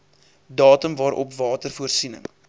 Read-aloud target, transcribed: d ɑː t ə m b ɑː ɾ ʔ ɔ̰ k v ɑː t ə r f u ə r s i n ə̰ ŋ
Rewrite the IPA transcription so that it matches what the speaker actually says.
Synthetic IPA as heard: d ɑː t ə m v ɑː ɾ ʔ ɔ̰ p v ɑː t ə r f u ə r s i n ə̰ ŋ